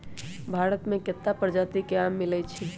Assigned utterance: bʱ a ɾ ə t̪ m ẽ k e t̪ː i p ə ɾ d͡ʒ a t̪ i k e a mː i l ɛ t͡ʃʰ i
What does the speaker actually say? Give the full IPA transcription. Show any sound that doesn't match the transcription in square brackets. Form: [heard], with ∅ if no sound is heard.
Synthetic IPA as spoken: bʱ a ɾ ə t̪ m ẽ k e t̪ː [a] p ə ɾ d͡ʒ a t̪ i k e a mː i l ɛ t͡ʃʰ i